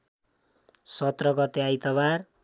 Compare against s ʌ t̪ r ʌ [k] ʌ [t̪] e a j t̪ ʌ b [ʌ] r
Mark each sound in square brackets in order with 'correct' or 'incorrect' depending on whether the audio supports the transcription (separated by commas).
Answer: incorrect, correct, incorrect